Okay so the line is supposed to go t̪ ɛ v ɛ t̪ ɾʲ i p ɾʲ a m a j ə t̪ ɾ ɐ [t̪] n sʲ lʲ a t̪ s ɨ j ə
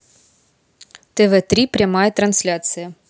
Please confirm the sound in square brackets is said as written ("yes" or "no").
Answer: no